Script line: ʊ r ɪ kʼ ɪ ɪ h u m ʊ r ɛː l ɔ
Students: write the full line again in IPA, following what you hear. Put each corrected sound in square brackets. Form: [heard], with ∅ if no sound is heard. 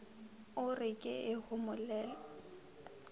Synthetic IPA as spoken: ʊ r ɪ kʼ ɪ ɪ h [ʊ] m ʊ [l] ɛː l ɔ